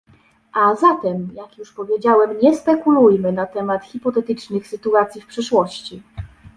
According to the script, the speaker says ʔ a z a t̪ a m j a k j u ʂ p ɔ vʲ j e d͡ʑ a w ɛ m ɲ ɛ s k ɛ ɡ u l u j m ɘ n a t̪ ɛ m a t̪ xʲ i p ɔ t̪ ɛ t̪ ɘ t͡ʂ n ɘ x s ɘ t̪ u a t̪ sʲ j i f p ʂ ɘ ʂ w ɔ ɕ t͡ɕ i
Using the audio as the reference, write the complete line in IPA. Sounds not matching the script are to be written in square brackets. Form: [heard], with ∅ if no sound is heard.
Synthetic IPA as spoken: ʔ a z a t̪ [ɛ] m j a k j u ʂ p ɔ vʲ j e d͡ʑ a w ɛ m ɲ ɛ s [p] ɛ [k] u l u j m ɘ n a t̪ ɛ m a t̪ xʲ i p ɔ t̪ ɛ t̪ ɘ t͡ʂ n ɘ x s ɘ t̪ u a t̪ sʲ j i f p ʂ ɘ ʂ w ɔ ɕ t͡ɕ i